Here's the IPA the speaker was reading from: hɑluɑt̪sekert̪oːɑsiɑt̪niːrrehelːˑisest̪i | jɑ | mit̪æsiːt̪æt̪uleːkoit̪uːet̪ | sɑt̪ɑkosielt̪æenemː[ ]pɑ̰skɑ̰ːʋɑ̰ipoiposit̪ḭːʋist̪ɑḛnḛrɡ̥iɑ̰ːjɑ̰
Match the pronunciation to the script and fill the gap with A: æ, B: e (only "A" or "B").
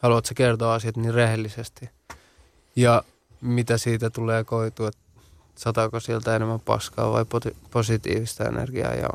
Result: A